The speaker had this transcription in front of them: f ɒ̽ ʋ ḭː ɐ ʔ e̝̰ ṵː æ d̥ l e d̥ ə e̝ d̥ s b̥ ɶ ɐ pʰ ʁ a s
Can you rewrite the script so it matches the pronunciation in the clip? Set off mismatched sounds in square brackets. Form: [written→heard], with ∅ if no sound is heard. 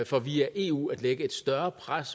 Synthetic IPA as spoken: f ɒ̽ ʋ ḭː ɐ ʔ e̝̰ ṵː æ d̥ l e [d̥→ɡ̥] ə e̝ d̥ s [b̥→d̥] ɶ ɐ pʰ ʁ a s